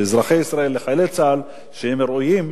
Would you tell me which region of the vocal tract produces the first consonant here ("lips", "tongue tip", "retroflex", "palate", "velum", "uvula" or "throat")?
tongue tip